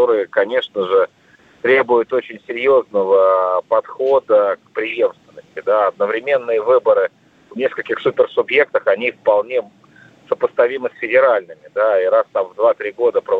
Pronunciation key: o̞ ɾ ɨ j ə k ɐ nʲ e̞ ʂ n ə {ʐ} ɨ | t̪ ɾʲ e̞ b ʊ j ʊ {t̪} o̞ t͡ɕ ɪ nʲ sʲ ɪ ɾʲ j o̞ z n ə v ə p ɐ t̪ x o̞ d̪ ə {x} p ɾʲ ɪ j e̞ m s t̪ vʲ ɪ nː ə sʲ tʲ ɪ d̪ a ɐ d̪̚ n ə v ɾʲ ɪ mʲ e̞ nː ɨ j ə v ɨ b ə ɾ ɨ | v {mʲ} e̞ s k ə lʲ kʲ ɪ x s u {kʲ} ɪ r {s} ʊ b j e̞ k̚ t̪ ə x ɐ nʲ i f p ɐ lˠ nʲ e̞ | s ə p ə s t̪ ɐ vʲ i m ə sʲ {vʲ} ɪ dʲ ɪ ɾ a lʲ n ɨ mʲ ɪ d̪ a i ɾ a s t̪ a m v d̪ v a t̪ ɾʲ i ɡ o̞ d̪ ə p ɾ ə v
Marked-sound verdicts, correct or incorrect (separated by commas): correct, correct, incorrect, incorrect, incorrect, correct, incorrect